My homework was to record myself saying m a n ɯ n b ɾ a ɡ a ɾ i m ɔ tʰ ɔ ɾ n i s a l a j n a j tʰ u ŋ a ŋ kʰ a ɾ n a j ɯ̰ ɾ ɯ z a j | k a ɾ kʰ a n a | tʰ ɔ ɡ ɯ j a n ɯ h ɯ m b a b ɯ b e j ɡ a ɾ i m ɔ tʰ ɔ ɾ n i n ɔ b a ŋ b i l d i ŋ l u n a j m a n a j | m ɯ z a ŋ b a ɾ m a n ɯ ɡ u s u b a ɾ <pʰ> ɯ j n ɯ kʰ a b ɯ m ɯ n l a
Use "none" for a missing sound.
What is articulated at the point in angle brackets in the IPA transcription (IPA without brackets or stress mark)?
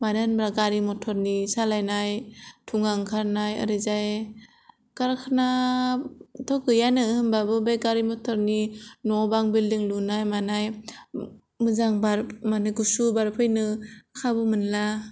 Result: pʰ